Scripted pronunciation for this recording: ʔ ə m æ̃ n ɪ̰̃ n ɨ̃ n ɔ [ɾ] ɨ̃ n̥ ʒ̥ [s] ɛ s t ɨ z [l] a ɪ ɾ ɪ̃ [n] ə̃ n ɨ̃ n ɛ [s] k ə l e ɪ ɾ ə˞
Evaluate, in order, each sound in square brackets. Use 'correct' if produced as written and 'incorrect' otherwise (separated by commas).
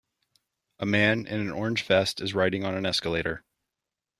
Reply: incorrect, incorrect, incorrect, incorrect, correct